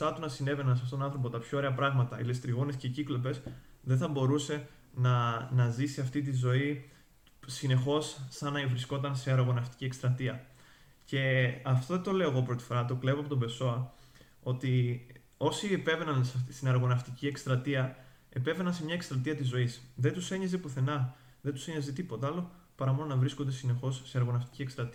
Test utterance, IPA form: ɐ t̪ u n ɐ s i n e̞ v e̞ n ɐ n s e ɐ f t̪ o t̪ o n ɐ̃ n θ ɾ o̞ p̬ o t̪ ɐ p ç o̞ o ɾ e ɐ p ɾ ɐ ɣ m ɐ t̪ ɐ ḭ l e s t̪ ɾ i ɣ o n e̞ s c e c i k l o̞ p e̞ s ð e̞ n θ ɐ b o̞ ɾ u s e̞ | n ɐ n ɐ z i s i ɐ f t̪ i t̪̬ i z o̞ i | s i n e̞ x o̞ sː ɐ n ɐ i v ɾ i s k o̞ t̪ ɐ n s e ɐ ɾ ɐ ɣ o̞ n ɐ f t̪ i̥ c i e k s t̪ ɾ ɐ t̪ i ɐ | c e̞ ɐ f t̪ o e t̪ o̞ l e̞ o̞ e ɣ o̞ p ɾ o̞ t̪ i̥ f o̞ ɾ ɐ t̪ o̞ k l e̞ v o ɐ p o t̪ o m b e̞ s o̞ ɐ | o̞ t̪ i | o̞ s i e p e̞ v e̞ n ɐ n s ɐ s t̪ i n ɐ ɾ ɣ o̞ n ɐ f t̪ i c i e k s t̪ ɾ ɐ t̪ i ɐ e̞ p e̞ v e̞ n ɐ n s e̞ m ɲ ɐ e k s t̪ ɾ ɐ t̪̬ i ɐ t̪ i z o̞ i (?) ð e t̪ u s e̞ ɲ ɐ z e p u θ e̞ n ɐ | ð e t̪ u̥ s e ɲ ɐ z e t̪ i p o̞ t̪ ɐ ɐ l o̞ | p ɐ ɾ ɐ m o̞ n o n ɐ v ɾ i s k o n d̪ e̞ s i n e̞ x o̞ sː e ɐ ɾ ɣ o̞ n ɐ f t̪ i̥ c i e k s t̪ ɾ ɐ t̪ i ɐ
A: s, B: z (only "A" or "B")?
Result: A